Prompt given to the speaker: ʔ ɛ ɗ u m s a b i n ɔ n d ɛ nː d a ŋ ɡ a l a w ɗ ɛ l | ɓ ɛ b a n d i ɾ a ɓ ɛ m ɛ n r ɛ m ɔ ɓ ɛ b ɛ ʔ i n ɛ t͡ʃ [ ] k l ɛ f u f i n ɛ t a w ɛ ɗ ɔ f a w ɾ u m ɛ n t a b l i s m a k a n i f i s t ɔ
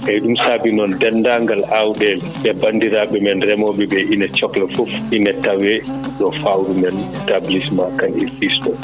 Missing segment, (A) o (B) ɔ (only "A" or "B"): B